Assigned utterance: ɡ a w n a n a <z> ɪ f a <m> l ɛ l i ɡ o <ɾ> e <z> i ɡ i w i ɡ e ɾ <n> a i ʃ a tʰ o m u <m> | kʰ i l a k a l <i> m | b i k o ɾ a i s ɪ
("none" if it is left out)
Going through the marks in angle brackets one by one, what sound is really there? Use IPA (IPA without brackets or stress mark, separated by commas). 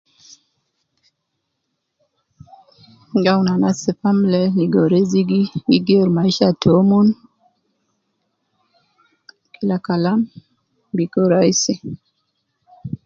s, m, ɾ, z, m, n, a